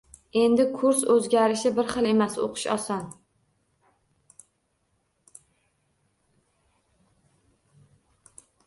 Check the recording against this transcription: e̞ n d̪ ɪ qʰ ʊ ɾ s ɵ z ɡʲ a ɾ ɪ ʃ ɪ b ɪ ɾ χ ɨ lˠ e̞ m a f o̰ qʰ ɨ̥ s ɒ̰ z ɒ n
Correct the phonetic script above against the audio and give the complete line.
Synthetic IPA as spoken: e̞ n d̪ ɪ kʰ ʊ ɾ s ɵ z ɡʲ a ɾ ɪ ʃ ɪ b ɪ ɾ χ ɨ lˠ e̞ m a s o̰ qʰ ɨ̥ ʃ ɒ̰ s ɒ n